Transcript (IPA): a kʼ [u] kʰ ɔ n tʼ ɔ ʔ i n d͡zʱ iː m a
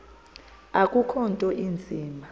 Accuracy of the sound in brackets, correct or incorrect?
correct